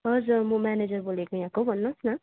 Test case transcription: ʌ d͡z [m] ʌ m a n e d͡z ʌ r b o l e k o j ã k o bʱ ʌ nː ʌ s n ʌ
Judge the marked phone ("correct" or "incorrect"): correct